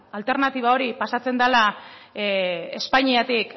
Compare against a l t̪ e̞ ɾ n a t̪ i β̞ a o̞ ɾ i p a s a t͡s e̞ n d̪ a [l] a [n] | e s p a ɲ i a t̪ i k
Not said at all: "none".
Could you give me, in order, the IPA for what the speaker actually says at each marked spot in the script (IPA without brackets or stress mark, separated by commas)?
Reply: l, none